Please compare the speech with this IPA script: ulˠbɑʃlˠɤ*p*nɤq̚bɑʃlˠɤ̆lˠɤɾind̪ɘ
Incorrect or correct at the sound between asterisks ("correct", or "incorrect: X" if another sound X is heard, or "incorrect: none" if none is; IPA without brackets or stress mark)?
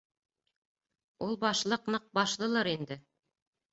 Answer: incorrect: q